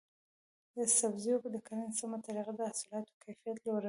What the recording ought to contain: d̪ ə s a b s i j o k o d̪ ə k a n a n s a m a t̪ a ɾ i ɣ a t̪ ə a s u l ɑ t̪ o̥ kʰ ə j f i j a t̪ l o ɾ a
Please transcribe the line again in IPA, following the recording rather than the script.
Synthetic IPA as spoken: d̪ ə s a b z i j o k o d̪ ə k a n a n s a m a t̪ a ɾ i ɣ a d̪ ə a s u l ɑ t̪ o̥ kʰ a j f i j a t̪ l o ɾ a

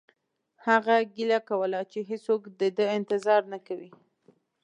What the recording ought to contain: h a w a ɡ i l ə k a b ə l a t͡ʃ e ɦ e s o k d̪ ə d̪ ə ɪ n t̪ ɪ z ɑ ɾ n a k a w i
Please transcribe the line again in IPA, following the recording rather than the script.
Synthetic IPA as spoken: h a ɣ a ɡ i l a k a w ə l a t͡ʃ e ɦ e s o k d̪ ə d̪ ə ɪ n t̪ ɪ z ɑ ɾ n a k a w i

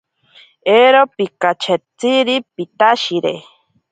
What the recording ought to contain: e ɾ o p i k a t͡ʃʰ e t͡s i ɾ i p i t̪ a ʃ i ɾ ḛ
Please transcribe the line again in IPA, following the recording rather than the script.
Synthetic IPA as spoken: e ɾ o p i k a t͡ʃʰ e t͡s i ɾ i p i t̪ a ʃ i ɾ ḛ

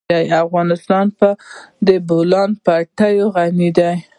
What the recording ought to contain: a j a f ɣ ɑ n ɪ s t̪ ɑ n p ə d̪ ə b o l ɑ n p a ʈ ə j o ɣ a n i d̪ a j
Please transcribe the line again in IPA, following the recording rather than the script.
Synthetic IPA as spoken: a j a f ɣ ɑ n ɪ s t̪ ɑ n p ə d̪ ə b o l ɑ n p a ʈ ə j o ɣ a n i d̪ a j

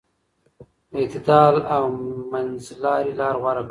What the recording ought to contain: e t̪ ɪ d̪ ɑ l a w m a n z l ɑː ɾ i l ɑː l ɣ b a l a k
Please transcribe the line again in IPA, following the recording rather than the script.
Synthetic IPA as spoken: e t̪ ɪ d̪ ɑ l a w m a n z l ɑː ɾ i l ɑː ɾ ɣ w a ɾ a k

